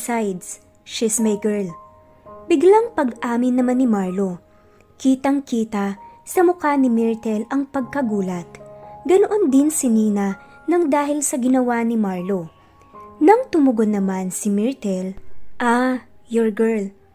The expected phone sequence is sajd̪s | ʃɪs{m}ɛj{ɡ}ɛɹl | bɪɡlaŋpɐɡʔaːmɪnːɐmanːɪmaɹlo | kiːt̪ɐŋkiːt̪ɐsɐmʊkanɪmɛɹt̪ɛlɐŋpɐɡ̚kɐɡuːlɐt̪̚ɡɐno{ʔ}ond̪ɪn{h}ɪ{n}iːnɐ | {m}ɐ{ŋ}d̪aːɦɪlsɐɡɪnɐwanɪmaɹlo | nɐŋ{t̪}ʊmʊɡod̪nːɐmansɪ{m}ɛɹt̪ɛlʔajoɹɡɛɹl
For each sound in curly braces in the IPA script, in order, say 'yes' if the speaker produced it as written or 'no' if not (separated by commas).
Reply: yes, yes, yes, no, yes, no, yes, yes, yes